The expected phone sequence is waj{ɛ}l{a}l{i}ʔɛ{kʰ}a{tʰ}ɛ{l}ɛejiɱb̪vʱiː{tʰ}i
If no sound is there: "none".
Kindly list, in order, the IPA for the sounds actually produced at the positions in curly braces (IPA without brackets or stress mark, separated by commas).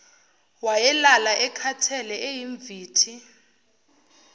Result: ɛ, a, a, kʰ, tʰ, l, tʰ